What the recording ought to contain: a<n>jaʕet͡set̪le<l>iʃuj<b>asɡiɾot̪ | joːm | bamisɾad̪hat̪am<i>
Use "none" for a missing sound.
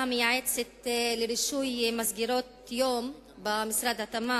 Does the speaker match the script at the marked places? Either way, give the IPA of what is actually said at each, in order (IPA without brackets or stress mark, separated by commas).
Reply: m, ɾ, m, a